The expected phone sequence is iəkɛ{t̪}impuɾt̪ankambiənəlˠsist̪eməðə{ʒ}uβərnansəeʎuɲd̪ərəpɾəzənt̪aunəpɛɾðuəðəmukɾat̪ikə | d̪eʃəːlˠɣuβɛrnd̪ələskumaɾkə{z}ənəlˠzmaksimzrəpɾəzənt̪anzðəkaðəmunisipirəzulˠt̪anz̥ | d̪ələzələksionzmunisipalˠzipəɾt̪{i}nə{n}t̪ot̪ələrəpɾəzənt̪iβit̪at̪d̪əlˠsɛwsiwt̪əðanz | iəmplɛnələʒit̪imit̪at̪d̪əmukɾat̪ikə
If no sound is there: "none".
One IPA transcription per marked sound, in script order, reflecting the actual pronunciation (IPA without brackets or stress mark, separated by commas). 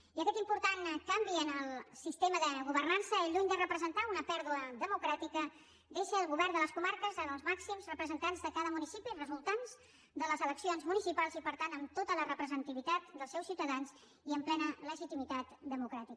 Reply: t̪, ɣ, z, a, m